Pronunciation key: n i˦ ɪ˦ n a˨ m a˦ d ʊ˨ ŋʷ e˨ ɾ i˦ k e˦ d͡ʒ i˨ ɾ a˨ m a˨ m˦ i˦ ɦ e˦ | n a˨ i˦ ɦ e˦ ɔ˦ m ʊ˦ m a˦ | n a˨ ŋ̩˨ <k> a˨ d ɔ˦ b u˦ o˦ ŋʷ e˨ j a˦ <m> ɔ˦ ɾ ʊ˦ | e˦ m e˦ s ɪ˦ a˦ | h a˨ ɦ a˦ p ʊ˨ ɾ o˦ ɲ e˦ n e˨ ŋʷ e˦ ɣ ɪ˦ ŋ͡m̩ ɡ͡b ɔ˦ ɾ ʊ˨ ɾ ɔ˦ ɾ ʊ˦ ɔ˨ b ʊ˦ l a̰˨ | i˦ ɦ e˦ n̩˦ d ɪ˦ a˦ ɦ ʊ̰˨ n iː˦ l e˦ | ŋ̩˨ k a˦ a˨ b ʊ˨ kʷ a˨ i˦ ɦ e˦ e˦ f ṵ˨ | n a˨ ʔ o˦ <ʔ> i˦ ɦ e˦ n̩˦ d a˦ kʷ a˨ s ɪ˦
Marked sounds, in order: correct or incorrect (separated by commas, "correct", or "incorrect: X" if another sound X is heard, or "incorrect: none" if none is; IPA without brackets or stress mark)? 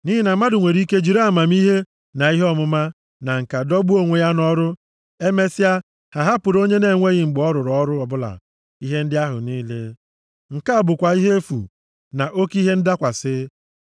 correct, incorrect: n, incorrect: k